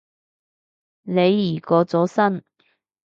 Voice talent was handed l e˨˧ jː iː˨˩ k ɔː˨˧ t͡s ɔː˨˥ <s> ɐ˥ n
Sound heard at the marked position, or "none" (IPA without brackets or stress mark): s